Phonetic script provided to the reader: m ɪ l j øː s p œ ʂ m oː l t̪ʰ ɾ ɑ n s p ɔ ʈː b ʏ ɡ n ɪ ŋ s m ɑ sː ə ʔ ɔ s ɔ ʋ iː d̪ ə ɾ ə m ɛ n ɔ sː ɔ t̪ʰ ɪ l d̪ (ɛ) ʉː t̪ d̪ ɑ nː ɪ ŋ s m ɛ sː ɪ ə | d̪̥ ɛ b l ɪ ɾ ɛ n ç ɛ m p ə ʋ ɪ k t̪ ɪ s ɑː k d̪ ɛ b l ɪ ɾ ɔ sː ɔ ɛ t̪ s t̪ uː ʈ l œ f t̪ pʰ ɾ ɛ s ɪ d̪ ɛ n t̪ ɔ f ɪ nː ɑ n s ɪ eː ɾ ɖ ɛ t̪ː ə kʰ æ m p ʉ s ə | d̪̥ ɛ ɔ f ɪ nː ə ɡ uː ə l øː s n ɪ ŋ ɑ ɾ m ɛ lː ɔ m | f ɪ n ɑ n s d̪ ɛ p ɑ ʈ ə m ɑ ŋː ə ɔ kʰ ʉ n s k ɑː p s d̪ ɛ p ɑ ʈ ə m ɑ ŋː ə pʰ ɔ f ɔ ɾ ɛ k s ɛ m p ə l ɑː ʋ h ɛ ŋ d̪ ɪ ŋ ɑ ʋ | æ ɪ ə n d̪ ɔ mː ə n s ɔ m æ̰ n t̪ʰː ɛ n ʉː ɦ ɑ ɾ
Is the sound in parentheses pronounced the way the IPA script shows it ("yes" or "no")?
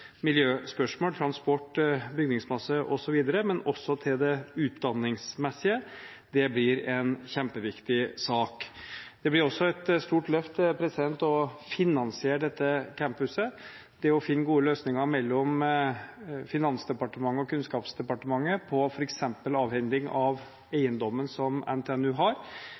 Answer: yes